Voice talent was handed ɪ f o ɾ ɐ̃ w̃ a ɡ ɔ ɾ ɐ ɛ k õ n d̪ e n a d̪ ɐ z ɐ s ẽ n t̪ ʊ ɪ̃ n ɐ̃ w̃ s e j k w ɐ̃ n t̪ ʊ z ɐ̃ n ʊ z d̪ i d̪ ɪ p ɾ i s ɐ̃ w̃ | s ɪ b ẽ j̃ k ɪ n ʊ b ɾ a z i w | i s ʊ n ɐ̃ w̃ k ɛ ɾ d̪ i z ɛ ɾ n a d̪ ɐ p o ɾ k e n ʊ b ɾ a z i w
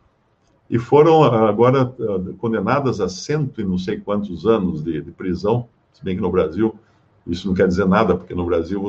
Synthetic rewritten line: ɪ f o ɾ ɐ̃ w̃ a ɡ ɔ ɾ ɐ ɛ k õ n d̪ e n a d̪ ɐ z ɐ s ẽ n t̪ ʊ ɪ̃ n ɐ̃ w̃ s e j k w ɐ̃ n t̪ ʊ z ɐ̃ n ʊ z d̪ ɪ d̪ ɪ p ɾ i z ɐ̃ w̃ | s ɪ b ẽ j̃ k ɪ n ʊ b ɾ a z i w | i s ʊ n ɐ̃ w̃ k ɛ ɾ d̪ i z e ɾ n a d̪ ɐ p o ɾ k e n ʊ b ɾ a z i w